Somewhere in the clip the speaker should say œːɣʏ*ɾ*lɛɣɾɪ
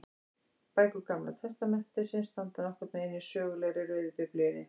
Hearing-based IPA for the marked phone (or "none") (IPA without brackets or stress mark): none